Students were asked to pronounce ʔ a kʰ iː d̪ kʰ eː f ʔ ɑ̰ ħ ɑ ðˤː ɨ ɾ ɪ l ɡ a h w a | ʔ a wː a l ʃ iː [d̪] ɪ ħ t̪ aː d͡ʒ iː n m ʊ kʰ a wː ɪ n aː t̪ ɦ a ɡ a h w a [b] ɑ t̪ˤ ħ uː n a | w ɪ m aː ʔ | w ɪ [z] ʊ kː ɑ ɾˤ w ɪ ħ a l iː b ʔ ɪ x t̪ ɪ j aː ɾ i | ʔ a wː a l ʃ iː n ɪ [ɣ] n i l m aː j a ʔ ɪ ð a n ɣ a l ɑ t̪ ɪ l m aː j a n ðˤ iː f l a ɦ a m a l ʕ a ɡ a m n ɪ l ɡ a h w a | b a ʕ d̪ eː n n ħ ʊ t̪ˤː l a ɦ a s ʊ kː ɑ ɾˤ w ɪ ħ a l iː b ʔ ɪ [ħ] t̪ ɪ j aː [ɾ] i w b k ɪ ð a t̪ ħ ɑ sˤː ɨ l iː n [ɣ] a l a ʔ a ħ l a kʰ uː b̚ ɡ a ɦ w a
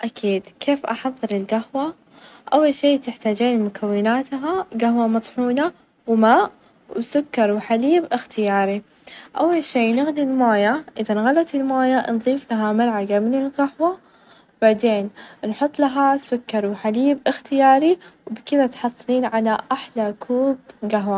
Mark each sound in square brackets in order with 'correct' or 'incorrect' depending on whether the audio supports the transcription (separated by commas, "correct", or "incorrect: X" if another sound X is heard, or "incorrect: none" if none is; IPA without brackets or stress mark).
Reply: incorrect: t̪, incorrect: m, incorrect: s, correct, incorrect: x, correct, incorrect: ʕ